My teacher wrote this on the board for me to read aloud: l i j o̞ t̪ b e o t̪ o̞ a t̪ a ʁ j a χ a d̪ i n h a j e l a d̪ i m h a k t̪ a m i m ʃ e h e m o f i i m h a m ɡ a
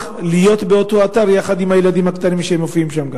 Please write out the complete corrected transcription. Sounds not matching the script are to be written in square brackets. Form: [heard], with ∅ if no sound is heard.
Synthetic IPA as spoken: l i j o̞ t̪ b e o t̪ o̞ a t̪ a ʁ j a χ a d̪ i [m] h a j e l a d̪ i m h a k t̪ a [n] i m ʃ e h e m o f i i m [ʃ] a m ɡ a